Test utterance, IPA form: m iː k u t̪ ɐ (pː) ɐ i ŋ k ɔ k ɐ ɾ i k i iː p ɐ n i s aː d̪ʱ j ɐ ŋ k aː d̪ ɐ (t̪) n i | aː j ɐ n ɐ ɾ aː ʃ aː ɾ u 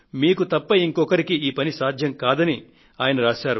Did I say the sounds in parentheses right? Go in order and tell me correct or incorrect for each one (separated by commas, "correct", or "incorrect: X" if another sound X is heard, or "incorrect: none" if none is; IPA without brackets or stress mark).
correct, incorrect: none